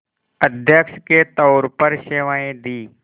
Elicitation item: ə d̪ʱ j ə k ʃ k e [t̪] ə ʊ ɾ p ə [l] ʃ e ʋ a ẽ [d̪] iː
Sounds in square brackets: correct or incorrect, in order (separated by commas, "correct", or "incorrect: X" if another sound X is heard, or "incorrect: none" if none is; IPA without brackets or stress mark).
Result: correct, incorrect: ɾ, correct